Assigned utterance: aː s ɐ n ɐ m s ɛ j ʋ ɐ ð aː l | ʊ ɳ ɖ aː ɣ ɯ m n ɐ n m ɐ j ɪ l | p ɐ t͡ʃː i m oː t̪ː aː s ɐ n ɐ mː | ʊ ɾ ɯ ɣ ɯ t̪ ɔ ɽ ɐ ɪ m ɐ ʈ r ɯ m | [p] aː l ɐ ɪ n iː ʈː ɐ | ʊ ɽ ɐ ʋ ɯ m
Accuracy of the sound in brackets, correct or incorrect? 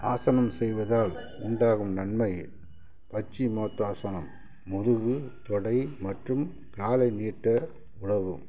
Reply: incorrect